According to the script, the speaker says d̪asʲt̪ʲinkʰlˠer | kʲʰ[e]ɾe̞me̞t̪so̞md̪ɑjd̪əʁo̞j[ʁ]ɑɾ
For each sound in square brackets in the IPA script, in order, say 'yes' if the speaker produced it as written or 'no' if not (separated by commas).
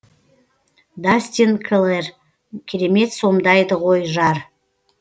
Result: yes, no